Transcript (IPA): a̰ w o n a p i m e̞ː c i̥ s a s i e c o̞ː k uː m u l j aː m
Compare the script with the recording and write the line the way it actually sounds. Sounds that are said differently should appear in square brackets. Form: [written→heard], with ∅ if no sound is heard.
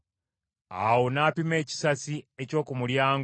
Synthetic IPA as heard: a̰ w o n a p i m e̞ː c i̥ s a s i e c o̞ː k [uː→u] m u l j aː [m→ŋ]